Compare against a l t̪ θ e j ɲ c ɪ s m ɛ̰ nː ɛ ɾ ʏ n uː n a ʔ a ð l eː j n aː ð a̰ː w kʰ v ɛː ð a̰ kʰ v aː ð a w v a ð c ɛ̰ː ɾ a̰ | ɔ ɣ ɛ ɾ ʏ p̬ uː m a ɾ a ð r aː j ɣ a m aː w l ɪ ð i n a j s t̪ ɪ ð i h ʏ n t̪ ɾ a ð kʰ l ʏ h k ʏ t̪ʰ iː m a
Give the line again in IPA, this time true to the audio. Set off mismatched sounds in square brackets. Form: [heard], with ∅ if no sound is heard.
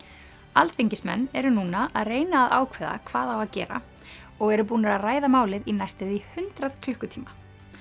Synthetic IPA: a l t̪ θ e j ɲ c ɪ s m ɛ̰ nː ɛ ɾ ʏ n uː n a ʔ a ð [r] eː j n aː ð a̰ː w kʰ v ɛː ð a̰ kʰ v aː ð a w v a ð c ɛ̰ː ɾ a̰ | ɔ ɣ ɛ ɾ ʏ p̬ uː [n] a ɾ a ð r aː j [ð] a m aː w l ɪ ð i n a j s t̪ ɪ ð i h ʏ n t̪ ɾ a ð kʰ l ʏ h k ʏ t̪ʰ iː m a